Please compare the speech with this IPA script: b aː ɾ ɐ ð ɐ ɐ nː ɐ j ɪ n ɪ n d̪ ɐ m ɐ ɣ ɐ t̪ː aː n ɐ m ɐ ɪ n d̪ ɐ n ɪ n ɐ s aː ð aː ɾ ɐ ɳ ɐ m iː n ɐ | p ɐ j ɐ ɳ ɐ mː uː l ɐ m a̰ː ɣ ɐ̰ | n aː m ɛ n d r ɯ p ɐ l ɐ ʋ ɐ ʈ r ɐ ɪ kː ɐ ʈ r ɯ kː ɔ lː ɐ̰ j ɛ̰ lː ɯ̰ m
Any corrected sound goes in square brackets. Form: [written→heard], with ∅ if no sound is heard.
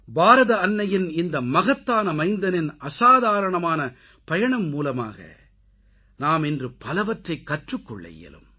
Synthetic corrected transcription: b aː ɾ ɐ ð ɐ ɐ nː ɐ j ɪ n ɪ n d̪ ɐ m ɐ ɣ ɐ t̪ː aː n ɐ m ɐ ɪ n d̪ ɐ n ɪ n ɐ s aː ð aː ɾ ɐ ɳ ɐ m [iː→aː] n ɐ | p ɐ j ɐ ɳ ɐ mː uː l ɐ m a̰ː ɣ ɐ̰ | n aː m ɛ n d r ɯ p ɐ l ɐ ʋ ɐ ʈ r ɐ ɪ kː ɐ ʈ r ɯ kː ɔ [lː→ɭː] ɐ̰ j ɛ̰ [lː→l] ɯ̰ m

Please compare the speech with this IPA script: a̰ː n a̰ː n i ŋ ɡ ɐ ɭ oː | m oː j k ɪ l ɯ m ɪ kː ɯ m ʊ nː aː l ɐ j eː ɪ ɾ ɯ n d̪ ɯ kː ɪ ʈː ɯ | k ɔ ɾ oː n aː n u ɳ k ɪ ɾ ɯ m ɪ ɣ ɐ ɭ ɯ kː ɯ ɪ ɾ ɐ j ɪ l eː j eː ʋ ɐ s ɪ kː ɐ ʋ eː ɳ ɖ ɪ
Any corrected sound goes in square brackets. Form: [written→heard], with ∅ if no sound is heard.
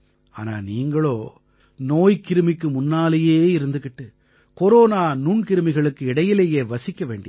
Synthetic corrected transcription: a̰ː n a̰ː n [i→iː] ŋ ɡ ɐ ɭ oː | [m→n] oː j k ɪ [l→ɾ] ɯ m ɪ kː ɯ m ʊ nː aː l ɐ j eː ɪ ɾ ɯ n d̪ ɯ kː ɪ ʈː ɯ | k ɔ ɾ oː n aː n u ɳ k ɪ ɾ ɯ m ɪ ɣ ɐ ɭ ɯ kː ɯ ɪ [ɾ→ɽ] ɐ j ɪ l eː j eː ʋ ɐ s ɪ kː ɐ ʋ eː ɳ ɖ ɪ

